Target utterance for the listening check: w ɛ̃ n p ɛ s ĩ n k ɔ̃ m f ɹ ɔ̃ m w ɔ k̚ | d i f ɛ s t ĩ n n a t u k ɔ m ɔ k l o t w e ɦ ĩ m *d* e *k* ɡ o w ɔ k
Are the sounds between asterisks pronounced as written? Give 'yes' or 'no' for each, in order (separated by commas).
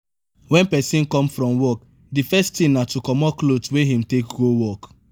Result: no, yes